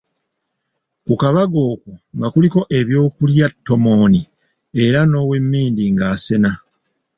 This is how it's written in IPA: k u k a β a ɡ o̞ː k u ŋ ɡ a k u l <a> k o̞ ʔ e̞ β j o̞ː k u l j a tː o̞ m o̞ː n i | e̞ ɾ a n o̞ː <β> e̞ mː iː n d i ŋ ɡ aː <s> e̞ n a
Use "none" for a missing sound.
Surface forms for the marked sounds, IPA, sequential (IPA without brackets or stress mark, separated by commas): i, w, s